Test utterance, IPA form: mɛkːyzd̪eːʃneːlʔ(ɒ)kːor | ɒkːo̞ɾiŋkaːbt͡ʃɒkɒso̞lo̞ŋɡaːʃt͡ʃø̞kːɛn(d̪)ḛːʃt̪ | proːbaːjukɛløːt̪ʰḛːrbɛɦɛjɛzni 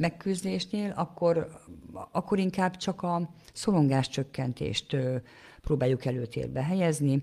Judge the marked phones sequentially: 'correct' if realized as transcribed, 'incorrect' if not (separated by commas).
correct, incorrect